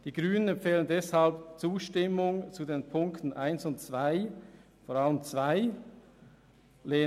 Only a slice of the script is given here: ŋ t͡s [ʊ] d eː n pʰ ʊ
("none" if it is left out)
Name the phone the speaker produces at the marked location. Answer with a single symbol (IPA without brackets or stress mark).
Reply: u